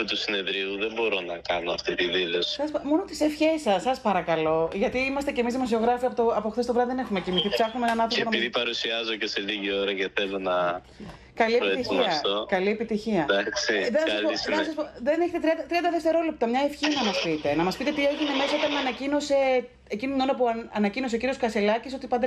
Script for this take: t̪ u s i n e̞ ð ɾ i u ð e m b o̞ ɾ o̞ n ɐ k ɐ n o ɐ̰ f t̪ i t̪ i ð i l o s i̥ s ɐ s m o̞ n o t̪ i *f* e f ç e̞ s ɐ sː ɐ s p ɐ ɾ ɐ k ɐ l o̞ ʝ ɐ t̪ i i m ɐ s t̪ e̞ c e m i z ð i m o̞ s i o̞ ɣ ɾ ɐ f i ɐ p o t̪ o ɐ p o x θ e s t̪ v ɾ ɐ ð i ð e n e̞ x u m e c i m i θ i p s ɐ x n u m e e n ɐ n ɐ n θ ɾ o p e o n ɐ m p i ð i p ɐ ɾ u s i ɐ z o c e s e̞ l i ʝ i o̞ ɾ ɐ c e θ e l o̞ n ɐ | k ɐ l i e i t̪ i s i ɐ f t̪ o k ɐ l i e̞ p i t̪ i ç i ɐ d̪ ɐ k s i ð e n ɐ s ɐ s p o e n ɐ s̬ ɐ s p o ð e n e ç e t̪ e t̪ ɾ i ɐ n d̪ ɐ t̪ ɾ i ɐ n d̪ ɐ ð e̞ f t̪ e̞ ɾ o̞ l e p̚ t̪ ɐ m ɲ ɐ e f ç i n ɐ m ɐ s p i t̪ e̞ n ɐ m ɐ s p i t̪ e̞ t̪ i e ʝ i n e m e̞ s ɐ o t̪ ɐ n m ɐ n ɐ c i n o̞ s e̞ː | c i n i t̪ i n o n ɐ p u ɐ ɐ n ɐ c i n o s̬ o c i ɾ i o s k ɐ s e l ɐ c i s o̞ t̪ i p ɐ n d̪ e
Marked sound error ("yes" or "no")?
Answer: yes